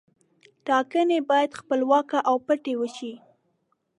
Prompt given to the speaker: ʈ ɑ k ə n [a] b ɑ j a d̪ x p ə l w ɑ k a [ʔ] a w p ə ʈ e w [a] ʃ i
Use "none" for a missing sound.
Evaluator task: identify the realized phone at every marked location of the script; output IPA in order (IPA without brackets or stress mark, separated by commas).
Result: e, ʔ, ə